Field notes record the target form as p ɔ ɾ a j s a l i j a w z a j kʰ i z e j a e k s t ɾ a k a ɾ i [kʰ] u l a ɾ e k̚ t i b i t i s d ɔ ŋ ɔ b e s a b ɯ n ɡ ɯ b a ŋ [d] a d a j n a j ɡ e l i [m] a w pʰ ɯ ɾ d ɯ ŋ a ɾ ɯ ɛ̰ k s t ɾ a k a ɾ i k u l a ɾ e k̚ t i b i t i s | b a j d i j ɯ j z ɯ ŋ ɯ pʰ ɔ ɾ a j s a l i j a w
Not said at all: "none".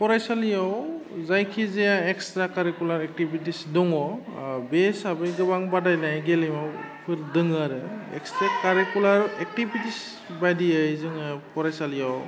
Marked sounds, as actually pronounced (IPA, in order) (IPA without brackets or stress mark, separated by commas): k, b, m